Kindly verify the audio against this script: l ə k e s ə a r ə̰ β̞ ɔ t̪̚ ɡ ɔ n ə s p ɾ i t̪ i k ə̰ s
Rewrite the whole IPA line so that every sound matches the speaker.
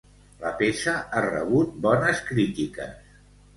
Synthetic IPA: l ə p e s ə a r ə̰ β̞ u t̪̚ b ɔ n ə s k ɾ i t̪ i k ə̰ s